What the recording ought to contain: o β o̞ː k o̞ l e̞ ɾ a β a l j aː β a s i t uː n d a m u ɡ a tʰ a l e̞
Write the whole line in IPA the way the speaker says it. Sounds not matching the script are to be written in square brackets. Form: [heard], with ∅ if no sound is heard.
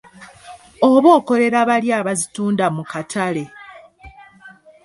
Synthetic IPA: o β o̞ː k o̞ l e̞ ɾ a β a l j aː β a [z] i t uː n d a m u [k] a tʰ a l e̞